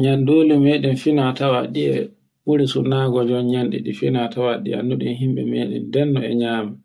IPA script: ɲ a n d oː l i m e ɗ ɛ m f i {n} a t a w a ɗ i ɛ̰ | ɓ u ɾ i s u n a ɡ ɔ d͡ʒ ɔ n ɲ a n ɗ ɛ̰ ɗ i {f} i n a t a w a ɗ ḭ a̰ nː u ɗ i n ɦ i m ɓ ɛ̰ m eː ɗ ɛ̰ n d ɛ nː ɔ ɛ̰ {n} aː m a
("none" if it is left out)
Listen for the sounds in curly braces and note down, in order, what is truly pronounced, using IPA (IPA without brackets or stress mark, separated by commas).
n, f, ɲ